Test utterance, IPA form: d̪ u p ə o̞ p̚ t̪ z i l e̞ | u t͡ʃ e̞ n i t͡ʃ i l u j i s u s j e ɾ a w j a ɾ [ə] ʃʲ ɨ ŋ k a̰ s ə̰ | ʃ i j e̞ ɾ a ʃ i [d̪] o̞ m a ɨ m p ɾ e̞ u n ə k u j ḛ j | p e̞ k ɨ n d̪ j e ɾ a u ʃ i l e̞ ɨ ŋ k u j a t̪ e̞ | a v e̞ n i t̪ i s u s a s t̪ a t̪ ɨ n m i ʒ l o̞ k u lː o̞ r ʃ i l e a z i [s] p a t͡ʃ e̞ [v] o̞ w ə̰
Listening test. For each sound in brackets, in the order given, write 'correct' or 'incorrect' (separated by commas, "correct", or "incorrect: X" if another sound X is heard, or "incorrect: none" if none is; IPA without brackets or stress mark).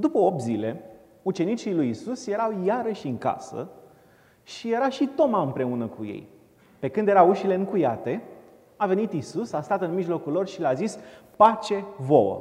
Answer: correct, incorrect: t̪, correct, correct